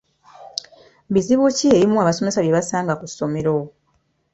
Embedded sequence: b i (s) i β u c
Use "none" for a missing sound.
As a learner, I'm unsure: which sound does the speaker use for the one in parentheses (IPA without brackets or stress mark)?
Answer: z